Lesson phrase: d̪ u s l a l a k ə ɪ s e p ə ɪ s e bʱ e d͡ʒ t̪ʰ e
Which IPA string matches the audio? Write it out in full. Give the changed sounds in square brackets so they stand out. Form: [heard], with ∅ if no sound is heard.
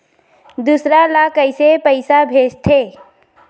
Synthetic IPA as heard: d̪ u s [ɾ] a l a k ə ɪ s e p ə ɪ s [a] bʱ e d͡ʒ t̪ʰ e